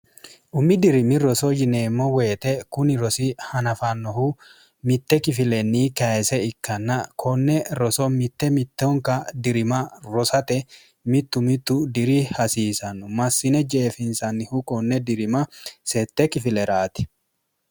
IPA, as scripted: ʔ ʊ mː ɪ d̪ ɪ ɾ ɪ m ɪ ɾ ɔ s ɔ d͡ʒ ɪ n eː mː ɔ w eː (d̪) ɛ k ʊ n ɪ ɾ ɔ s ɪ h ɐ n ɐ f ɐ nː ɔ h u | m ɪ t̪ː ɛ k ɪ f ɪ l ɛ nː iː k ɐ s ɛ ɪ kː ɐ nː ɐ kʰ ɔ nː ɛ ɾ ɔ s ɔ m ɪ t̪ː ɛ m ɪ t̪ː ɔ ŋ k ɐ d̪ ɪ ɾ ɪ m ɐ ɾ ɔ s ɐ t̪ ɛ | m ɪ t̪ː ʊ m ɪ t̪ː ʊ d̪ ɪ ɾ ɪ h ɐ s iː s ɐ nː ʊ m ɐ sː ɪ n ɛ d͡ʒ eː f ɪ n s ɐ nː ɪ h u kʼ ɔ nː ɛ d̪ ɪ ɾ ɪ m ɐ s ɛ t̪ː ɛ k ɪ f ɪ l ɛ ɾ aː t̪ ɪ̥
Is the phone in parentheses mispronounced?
yes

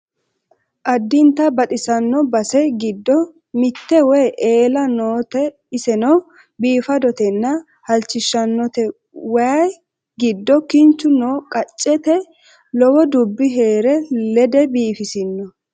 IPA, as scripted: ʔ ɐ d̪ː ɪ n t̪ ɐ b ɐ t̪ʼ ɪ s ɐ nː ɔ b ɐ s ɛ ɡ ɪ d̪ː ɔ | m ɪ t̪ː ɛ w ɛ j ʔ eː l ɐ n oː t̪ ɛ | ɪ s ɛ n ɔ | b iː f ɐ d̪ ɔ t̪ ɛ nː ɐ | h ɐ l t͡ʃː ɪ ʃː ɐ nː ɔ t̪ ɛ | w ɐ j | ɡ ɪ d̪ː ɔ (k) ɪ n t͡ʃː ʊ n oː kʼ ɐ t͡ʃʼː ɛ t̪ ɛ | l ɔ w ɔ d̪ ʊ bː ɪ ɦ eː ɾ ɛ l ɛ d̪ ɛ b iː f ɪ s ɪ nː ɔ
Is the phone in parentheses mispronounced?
no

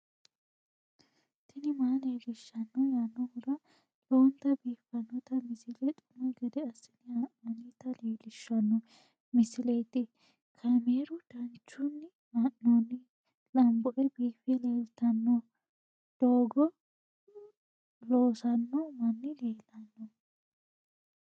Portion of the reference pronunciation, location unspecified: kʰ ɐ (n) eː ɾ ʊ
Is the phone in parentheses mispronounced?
yes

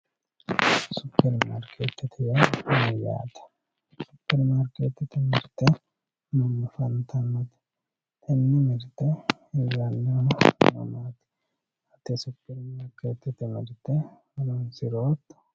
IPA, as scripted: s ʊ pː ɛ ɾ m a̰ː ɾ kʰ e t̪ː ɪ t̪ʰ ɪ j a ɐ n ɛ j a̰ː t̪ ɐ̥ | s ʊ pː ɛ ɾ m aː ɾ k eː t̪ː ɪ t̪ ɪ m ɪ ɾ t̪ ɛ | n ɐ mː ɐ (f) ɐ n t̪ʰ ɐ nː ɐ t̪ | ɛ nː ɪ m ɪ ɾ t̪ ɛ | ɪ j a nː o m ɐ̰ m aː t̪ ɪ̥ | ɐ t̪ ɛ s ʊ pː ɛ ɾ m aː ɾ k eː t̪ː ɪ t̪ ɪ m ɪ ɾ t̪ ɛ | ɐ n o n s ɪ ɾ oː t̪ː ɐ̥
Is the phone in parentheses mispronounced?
no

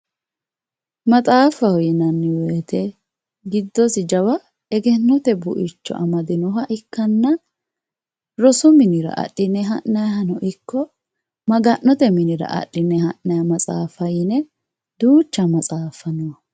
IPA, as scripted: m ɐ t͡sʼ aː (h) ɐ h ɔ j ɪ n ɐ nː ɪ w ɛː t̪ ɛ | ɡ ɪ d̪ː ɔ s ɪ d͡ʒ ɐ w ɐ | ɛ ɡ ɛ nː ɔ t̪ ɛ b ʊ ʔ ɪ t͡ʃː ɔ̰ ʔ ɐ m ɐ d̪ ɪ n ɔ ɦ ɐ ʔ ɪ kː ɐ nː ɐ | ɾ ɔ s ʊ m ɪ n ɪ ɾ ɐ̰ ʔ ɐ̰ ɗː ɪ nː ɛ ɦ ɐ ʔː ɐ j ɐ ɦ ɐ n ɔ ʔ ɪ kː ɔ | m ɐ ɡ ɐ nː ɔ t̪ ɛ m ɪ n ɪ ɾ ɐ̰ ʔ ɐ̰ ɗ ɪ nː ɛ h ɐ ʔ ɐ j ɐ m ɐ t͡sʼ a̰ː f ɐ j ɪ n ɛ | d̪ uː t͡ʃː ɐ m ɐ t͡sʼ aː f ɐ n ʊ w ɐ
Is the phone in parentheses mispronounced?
yes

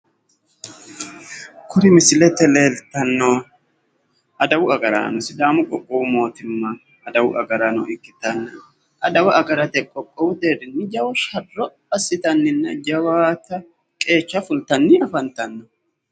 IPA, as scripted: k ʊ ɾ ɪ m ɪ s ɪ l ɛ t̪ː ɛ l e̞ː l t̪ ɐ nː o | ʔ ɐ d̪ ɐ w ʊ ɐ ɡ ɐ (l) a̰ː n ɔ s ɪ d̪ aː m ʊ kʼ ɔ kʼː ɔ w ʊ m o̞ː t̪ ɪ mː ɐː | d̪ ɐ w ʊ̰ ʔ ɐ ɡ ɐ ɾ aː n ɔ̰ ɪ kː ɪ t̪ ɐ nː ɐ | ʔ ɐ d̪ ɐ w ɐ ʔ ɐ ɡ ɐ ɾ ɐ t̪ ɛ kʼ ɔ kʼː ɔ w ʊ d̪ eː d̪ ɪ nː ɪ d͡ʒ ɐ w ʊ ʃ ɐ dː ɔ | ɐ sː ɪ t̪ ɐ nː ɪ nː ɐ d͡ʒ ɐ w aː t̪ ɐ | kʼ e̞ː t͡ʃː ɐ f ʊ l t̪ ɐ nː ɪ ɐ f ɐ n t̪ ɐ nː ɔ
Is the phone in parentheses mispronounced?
yes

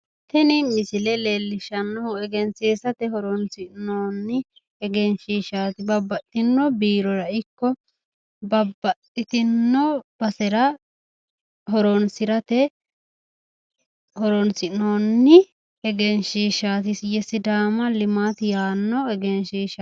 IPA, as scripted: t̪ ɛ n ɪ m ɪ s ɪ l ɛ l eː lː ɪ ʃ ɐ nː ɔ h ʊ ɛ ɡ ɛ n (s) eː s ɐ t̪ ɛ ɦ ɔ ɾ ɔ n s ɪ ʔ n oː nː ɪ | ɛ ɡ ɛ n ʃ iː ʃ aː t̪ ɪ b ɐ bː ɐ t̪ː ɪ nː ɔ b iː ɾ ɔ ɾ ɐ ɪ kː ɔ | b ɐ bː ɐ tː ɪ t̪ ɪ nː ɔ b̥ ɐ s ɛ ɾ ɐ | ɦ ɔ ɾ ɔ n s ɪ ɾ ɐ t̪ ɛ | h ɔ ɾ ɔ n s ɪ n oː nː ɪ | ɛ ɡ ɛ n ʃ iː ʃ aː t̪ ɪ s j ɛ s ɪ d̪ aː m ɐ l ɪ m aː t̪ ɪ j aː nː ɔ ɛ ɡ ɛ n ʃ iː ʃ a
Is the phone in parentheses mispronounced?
no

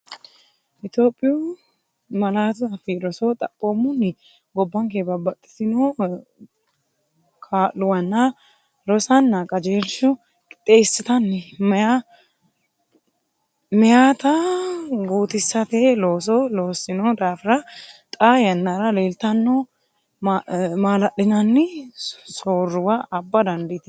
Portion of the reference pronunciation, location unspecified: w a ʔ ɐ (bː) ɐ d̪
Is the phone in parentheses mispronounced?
no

